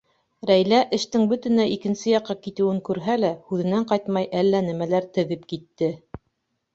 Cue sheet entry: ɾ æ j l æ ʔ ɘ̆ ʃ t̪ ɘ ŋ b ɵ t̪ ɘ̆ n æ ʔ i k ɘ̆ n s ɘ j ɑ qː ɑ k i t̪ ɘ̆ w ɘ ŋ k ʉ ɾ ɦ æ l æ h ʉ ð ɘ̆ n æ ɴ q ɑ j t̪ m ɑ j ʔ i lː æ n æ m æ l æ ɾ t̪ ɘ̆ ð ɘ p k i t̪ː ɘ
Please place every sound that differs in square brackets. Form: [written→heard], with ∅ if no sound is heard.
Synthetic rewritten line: ɾ æ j l æ ʔ ɘ̆ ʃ t̪ ɘ ŋ b ɵ t̪ ɘ̆ n æ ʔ i k ɘ̆ n s ɘ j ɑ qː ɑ k i t̪ ɘ̆ w ɘ ŋ k ʉ ɾ ɦ æ l æ h ʉ ð ɘ̆ n æ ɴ q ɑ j t̪ m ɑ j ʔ [i→æ] lː æ n æ m æ l æ ɾ t̪ ɘ̆ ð ɘ p k i t̪ː ɘ